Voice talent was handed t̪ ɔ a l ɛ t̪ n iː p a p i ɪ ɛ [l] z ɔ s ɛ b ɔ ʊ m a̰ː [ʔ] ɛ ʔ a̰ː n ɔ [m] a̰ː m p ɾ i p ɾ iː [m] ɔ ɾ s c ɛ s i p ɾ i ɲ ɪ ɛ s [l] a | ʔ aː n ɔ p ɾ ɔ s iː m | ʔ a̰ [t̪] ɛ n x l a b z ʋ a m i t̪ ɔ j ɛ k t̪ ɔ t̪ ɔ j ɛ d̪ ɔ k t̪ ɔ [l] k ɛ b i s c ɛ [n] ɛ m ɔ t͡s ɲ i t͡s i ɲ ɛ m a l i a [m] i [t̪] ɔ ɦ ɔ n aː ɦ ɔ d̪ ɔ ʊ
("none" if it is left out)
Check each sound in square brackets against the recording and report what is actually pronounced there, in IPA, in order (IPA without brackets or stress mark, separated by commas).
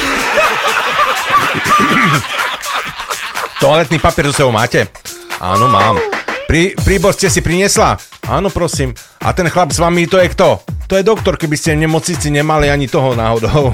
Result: ɾ, c, m, b, l, t̪, ɾ, ɲ, ɲ, t̪